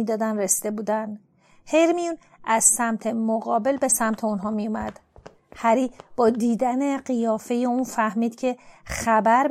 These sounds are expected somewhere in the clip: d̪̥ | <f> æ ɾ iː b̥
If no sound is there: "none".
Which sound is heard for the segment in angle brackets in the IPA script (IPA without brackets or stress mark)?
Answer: h